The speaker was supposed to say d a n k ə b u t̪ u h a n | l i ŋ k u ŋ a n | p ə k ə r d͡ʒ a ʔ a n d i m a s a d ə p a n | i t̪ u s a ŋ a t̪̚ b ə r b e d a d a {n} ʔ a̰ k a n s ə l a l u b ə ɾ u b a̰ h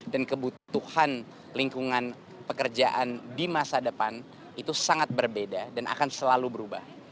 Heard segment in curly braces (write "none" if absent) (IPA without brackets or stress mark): n